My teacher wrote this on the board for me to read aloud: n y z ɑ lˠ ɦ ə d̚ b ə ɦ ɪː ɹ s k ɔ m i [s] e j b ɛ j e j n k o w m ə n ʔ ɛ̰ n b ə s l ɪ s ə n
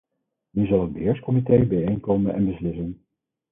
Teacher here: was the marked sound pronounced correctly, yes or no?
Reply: no